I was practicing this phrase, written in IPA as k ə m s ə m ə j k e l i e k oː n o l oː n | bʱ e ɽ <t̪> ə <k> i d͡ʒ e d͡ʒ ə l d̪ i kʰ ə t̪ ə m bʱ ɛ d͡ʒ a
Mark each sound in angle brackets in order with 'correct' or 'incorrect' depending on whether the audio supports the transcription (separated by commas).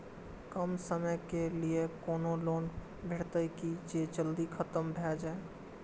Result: correct, correct